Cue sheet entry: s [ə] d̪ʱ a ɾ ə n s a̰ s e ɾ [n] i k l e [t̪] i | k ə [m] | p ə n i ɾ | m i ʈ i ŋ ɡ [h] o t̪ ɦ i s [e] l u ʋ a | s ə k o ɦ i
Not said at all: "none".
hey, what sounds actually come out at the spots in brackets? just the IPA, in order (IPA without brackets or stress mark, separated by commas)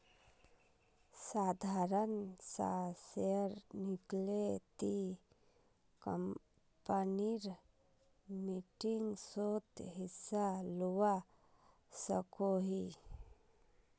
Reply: a, n, t̪, m, s, a